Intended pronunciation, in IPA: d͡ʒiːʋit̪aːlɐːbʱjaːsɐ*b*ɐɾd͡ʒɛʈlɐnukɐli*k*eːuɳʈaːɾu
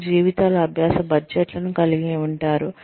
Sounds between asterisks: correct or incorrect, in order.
correct, incorrect: ɡ

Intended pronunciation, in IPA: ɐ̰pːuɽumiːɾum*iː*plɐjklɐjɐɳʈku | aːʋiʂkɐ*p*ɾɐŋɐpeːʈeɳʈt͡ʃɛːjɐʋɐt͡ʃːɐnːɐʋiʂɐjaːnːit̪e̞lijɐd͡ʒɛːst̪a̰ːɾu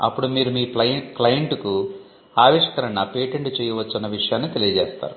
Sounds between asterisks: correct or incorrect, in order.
correct, incorrect: none

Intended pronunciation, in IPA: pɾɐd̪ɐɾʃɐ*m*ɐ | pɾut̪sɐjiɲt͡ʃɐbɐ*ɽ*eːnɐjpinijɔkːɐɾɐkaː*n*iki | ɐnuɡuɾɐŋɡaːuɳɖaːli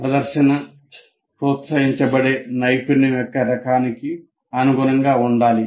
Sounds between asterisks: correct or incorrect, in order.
incorrect: n, correct, correct

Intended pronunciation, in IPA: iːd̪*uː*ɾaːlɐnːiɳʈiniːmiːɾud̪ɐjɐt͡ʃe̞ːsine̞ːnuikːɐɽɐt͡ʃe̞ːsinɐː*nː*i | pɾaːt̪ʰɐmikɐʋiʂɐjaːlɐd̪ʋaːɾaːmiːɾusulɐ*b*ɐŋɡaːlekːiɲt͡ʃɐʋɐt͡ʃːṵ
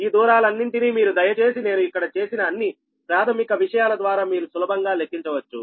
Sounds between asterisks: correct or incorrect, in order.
correct, correct, correct

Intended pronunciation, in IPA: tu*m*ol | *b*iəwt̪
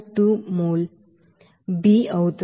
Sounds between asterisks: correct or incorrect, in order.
correct, correct

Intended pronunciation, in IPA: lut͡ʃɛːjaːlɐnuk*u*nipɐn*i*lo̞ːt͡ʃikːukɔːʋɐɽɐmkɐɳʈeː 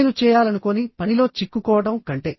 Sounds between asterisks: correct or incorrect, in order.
incorrect: o, correct

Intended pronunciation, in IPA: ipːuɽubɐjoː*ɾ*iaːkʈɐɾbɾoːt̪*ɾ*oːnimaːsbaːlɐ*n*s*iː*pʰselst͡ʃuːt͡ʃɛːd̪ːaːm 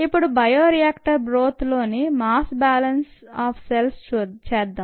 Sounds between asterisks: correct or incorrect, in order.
correct, incorrect: l, correct, incorrect: aː

